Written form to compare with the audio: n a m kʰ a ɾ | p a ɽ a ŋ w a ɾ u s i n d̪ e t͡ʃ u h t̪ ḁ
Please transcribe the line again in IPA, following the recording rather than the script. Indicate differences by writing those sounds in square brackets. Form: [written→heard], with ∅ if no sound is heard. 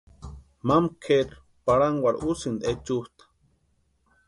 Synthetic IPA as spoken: [n→m] a m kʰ [a→e] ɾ | p a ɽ a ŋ w a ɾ u s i n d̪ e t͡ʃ u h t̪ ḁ